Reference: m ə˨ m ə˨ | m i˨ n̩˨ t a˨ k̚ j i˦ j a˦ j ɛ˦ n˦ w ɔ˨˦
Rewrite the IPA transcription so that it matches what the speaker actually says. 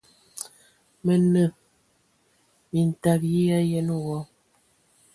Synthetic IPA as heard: m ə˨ n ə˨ | m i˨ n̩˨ t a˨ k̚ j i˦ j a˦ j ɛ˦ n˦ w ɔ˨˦